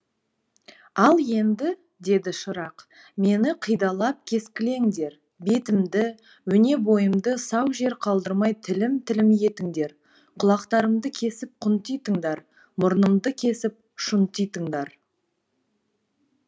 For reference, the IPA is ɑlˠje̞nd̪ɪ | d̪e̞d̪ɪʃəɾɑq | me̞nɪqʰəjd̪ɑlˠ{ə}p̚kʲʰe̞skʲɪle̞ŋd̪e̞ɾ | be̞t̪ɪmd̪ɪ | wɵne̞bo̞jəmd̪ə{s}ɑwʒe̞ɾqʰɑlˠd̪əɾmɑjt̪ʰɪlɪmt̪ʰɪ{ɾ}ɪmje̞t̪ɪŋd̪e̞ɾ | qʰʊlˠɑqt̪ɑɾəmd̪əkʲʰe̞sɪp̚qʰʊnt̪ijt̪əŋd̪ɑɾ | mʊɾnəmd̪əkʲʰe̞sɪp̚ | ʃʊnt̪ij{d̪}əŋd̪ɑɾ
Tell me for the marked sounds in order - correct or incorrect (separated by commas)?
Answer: incorrect, correct, incorrect, incorrect